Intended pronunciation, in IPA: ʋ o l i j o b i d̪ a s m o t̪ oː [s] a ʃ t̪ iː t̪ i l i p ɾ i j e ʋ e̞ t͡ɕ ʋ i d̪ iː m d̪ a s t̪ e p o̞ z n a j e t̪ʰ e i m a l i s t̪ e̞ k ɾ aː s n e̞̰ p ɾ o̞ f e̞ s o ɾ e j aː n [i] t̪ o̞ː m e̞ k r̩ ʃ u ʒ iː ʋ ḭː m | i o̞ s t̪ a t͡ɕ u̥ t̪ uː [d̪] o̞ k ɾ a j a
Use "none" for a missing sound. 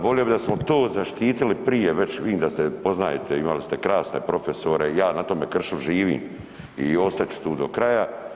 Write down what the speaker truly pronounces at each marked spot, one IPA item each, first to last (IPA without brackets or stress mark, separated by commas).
z, a, d̪